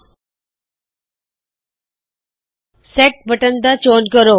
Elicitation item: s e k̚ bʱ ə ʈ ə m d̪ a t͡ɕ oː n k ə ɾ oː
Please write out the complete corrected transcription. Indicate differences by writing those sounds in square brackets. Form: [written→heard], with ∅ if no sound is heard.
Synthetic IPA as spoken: s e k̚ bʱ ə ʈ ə [m→n] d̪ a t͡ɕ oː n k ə ɾ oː

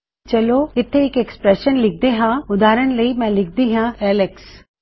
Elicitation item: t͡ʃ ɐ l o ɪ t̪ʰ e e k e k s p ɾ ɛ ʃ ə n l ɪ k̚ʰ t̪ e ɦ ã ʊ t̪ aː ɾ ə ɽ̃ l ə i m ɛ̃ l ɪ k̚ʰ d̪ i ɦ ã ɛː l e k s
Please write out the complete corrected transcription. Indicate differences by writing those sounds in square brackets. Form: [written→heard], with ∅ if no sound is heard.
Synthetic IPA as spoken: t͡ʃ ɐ l o ɪ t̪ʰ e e k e k s p ɾ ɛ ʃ ə n l ɪ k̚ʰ [t̪→d̪] e ɦ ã ʊ [t̪→d̪] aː ɾ ə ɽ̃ l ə i m ɛ̃ l ɪ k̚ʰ d̪ i ɦ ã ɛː l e k s

